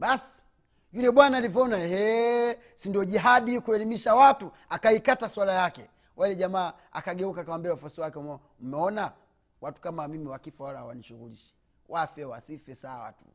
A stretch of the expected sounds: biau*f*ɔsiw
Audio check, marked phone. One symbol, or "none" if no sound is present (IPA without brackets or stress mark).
f